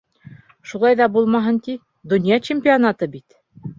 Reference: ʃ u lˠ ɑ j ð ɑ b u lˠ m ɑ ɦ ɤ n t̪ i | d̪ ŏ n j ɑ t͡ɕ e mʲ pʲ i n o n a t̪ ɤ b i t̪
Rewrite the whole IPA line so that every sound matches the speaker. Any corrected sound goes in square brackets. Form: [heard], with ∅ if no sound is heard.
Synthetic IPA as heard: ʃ u lˠ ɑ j ð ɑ b u lˠ m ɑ ɦ ɤ n t̪ i | d̪ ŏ n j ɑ t͡ɕ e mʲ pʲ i [∅] o n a t̪ ɤ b i t̪